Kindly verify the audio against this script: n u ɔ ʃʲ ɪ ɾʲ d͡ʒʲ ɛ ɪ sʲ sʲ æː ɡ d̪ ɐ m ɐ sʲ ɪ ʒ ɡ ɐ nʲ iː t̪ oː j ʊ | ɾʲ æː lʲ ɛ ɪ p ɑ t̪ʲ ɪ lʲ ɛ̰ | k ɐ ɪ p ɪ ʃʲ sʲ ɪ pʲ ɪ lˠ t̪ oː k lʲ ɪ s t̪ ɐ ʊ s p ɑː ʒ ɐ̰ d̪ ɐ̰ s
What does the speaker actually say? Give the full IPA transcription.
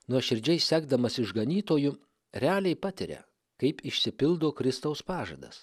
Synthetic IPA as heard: n u ɔ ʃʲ ɪ ɾʲ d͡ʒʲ ɛ ɪ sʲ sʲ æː ɡ d̪ ɐ m ɐ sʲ ɪ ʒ ɡ ɐ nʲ iː t̪ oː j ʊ | ɾʲ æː lʲ ɛ ɪ p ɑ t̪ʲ ɪ ɾʲ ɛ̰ | k ɐ ɪ p ɪ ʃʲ sʲ ɪ pʲ ɪ lˠ d̪ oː k ɾʲ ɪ s t̪ ɐ ʊ s p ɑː ʒ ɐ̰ d̪ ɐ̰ s